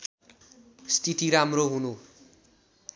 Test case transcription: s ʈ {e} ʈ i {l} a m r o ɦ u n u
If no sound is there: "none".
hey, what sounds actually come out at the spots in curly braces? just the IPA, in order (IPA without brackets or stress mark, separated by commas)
i, ɾ